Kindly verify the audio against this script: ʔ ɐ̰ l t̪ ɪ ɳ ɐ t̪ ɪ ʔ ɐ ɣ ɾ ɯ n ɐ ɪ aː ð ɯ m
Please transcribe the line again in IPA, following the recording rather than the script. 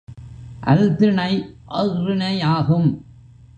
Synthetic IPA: ʔ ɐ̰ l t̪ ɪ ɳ ɐ ɪ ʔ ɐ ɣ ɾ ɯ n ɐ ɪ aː ɣ ɯ m